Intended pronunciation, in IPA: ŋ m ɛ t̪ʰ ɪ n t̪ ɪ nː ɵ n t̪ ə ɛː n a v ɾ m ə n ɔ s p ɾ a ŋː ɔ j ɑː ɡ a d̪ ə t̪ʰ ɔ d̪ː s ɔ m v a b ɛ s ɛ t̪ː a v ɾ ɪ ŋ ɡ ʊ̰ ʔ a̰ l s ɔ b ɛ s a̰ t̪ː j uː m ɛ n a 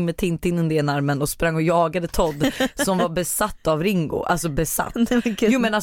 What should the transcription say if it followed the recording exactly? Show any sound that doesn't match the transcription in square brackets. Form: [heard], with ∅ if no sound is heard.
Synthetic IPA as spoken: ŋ m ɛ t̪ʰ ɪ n t̪ ɪ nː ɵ n [d̪] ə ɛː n a [∅] ɾ m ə n ɔ s p ɾ a ŋː ɔ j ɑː ɡ a d̪ ə t̪ʰ ɔ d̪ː s ɔ m v a b ɛ s [a] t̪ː a v ɾ ɪ ŋ ɡ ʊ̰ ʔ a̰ l s ɔ b ɛ s a̰ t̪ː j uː m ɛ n a